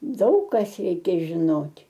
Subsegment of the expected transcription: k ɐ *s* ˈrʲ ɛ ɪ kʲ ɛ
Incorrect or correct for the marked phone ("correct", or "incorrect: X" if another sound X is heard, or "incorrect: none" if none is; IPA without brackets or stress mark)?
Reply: correct